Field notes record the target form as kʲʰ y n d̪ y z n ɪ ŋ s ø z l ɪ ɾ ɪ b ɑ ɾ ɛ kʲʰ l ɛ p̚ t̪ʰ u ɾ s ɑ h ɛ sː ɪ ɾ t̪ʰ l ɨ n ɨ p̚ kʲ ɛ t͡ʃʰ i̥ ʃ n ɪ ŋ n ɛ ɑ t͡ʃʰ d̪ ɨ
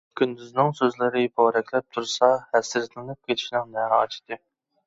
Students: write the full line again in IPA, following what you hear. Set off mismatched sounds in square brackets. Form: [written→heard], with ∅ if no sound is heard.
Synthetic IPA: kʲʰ y n d̪ y z n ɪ ŋ s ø z l ɪ ɾ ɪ b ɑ ɾ ɛ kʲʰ l ɛ p̚ t̪ʰ u ɾ s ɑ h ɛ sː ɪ ɾ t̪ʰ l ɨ n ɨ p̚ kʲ [ɛ→e] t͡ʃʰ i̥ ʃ n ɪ ŋ n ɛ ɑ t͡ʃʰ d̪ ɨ